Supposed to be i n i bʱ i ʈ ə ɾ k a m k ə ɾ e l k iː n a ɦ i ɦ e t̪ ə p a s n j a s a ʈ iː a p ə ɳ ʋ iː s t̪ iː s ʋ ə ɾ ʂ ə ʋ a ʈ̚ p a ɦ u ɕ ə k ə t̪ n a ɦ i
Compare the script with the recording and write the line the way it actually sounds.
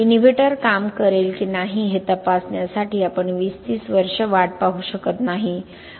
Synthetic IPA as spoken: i n i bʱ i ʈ ə ɾ k a m k ə ɾ e l k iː n a ɦ i ɦ e t̪ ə p a s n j a s a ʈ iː a p ə ɳ ʋ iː s t̪ iː s ʋ ə ɾ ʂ ə ʋ a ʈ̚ p a ɦ u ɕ ə k ə t̪ n a ɦ i